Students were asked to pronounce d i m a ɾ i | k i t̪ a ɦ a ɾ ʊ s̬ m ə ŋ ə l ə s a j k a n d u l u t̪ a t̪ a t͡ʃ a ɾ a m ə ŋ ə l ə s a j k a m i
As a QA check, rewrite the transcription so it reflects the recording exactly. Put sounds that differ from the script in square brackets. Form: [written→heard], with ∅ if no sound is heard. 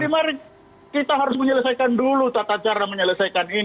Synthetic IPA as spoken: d i m a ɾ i | k i t̪ a ɦ a ɾ ʊ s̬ m ə [ŋ→ɲ] ə l ə s a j k a n d u l u t̪ a t̪ a t͡ʃ a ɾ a m ə [ŋ→ɲ] ə l ə s a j k a [m→n] i